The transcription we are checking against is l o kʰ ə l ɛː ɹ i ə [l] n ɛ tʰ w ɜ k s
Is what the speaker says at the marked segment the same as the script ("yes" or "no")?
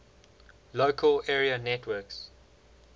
no